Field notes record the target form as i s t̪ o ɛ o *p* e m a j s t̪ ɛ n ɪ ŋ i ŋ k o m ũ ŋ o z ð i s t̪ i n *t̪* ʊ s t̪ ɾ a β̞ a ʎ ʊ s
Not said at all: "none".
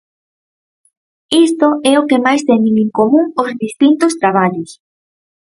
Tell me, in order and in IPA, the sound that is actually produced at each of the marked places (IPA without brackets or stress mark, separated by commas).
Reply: k, t̪